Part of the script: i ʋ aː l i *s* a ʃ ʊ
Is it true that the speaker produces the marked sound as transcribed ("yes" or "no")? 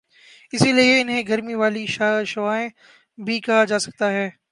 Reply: no